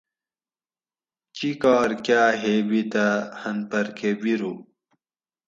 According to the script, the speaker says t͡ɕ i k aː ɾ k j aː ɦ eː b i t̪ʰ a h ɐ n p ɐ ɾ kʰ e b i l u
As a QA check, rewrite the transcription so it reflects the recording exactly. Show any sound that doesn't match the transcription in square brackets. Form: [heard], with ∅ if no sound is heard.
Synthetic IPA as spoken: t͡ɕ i k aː ɾ k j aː ɦ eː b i [t̪] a h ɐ n p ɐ ɾ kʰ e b i [ɾ] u